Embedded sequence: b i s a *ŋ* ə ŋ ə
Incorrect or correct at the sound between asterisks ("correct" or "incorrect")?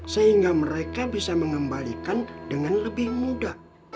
incorrect